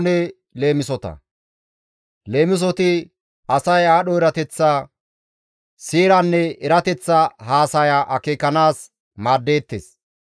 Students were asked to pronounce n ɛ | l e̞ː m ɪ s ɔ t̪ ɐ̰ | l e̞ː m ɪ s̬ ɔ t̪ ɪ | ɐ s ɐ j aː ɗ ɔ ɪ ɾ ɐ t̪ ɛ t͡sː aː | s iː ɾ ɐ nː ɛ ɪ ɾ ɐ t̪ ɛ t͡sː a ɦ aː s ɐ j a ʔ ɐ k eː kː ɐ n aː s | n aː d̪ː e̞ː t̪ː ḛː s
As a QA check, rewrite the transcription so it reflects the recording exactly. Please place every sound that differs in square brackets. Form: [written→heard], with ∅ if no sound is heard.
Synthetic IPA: n ɛ | l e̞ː m ɪ s ɔ t̪ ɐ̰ | l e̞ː m ɪ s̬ ɔ t̪ ɪ | ɐ s ɐ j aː ɗ ɔ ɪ ɾ ɐ t̪ ɛ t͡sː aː | s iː ɾ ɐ nː ɛ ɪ ɾ ɐ t̪ ɛ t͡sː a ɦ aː s ɐ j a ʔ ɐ k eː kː ɐ n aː s | [n→m] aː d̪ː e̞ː t̪ː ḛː s